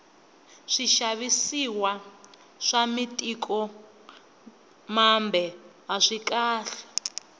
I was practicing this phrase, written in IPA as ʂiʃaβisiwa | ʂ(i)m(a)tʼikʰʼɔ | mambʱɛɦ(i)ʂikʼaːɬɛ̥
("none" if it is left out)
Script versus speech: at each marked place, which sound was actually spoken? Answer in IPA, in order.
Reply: a, i, a

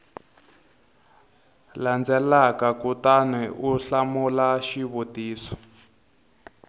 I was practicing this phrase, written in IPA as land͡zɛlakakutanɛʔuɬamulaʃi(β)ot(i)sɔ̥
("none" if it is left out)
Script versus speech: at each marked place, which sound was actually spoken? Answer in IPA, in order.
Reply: β, iː

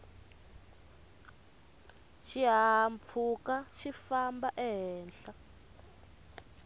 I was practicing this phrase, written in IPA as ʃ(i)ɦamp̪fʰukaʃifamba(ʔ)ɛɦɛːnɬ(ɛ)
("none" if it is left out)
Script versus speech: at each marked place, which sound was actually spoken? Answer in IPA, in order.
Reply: i, ʔ, a

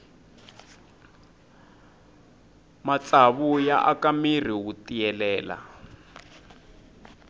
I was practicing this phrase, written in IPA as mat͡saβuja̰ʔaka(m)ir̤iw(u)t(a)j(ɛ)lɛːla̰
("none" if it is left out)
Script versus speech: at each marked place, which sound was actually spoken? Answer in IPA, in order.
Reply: m, u, i, ɛ

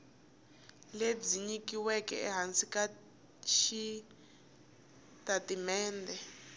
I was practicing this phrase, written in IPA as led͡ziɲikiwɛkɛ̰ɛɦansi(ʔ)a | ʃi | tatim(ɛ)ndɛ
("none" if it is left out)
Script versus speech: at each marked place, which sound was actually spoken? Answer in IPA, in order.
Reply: k, ɛː

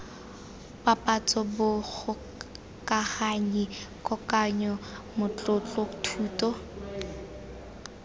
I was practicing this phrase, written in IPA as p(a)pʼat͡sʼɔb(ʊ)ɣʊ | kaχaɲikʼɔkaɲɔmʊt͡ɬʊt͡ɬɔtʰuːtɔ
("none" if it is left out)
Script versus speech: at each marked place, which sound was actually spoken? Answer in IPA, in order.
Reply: a, ʊ

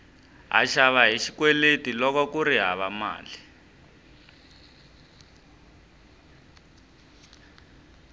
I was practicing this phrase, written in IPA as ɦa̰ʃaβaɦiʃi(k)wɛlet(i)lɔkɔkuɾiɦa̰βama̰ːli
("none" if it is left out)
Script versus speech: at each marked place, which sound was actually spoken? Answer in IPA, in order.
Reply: k, i

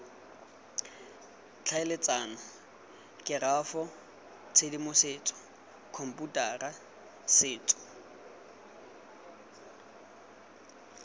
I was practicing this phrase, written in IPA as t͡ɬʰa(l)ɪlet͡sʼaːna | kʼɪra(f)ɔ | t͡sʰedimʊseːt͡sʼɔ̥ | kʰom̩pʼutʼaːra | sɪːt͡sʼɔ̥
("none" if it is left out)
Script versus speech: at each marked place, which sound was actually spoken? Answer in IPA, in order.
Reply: none, f

